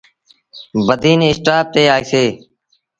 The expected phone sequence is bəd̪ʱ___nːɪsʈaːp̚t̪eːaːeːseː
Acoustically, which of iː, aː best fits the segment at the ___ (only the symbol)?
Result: iː